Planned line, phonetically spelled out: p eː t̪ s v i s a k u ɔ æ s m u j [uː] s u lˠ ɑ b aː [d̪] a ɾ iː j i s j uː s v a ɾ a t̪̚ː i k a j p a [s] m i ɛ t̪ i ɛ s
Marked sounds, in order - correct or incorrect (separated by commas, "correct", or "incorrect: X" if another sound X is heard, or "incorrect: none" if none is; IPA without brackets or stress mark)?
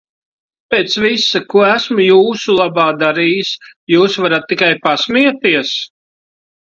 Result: correct, correct, correct